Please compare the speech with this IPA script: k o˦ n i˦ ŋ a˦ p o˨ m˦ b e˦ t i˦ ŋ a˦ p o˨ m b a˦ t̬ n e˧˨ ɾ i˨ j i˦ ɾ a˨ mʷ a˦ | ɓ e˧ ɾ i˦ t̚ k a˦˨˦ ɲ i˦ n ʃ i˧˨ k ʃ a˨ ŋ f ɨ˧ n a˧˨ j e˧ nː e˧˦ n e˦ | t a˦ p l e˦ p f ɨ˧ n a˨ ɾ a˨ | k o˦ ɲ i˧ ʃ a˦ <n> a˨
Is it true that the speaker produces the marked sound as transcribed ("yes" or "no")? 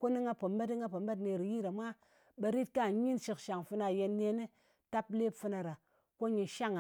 no